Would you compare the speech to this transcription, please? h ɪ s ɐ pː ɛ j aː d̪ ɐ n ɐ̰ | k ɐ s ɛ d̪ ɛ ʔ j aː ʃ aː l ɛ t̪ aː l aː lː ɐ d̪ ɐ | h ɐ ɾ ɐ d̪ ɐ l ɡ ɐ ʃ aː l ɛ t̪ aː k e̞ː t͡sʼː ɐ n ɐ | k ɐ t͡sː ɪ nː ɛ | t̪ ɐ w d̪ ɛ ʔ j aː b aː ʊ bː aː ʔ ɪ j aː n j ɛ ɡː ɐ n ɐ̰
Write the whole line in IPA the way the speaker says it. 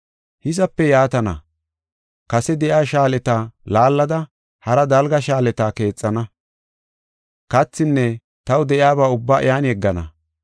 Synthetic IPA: h ɪ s ɐ pː ɛ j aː t̪ ɐ n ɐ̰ | k ɐ s ɛ d̪ ɛ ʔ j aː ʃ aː l ɛ t̪ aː l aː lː ɐ d̪ ɐ | h ɐ ɾ ɐ d̪ ɐ l ɡ ɐ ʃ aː l ɛ t̪ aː k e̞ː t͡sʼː ɐ n ɐ | k ɐ t͡sː ɪ nː ɛ | t̪ ɐ w d̪ ɛ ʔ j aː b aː ʊ bː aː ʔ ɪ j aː n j ɛ ɡː ɐ n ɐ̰

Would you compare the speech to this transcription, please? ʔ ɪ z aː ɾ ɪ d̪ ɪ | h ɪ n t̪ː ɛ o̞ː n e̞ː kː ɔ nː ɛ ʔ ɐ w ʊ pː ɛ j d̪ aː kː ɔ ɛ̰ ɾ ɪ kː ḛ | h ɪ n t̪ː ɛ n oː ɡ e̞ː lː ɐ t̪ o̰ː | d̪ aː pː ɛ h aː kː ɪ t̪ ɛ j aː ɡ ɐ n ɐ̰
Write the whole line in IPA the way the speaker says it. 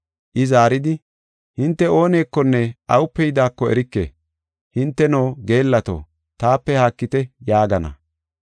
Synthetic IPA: ʔ ɪ z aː ɾ ɪ d̪ ɪ | h ɪ n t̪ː ɛ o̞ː n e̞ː kː ɔ nː ɛ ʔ ɐ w ʊ pː ɛ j d̪ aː kː ɔ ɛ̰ ɾ ɪ kː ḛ | h ɪ n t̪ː ɛ n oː ɡ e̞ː lː ɐ t̪ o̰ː | t̪ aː pː ɛ h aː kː ɪ t̪ ɛ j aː ɡ ɐ n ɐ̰

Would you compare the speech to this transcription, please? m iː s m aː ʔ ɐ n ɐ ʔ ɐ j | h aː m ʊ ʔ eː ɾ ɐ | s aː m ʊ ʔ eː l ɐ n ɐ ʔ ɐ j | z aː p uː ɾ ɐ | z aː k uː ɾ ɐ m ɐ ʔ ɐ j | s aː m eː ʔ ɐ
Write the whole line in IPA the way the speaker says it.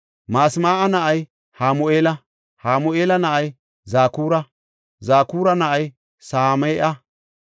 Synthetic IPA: m aː s m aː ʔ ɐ n ɐ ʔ ɐ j | h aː m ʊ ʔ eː l ɐ | h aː m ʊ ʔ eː l ɐ n ɐ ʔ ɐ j | z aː k uː ɾ ɐ | z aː k uː ɾ ɐ n ɐ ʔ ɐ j | s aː m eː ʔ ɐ

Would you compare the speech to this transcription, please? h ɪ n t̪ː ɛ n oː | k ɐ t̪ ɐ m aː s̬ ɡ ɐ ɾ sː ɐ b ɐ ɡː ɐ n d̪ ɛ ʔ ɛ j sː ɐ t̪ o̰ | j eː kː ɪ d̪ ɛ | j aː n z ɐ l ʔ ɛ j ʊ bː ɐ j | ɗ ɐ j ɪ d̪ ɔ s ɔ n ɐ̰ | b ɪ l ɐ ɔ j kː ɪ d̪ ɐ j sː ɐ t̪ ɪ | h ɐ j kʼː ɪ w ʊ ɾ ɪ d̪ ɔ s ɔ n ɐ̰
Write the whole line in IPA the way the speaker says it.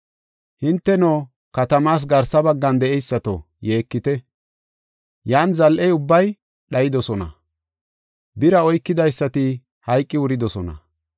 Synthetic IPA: h ɪ n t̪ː ɛ n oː | k ɐ t̪ ɐ m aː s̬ ɡ ɐ ɾ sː ɐ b ɐ ɡː ɐ n d̪ ɛ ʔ ɛ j sː ɐ t̪ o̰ | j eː kː ɪ t̪ ɛ | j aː n z ɐ l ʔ ɛ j ʊ bː ɐ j | ɗ ɐ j ɪ d̪ ɔ s ɔ n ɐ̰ | b ɪ ɾ ɐ ɔ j kː ɪ d̪ ɐ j sː ɐ t̪ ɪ | h ɐ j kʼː ɪ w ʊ ɾ ɪ d̪ ɔ s ɔ n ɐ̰

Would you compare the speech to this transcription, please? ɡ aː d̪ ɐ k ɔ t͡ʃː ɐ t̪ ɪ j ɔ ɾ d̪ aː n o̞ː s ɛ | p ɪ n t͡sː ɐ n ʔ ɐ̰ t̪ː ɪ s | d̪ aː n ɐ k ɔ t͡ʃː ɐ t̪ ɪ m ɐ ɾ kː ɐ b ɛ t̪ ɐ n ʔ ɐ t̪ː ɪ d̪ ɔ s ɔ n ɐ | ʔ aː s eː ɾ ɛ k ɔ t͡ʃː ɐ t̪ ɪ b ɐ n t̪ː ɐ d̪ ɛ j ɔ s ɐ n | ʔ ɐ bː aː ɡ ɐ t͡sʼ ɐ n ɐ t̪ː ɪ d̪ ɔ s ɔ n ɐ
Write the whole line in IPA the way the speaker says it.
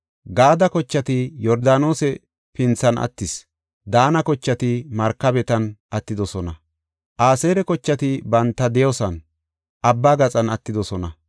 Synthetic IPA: ɡ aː d̪ ɐ k ɔ t͡ʃː ɐ t̪ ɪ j ɔ ɾ d̪ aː n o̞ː s ɛ | p ɪ n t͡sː ɐ n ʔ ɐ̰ t̪ː ɪ s | d̪ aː n ɐ k ɔ t͡ʃː ɐ t̪ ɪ m ɐ ɾ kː ɐ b ɛ t̪ ɐ n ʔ ɐ t̪ː ɪ d̪ ɔ s ɔ n ɐ | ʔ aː s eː ɾ ɛ k ɔ t͡ʃː ɐ t̪ ɪ b ɐ n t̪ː ɐ d̪ ɛ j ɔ s ɐ n | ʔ ɐ bː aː ɡ ɐ t͡sʼ ɐ n ɐ t̪ː ɪ d̪ ɔ s ɔ n ɐ

